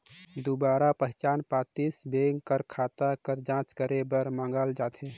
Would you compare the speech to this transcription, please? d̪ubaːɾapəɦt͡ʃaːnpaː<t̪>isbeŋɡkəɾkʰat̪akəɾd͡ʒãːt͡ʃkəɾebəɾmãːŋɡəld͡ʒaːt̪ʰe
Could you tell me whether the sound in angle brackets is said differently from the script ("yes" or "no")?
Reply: no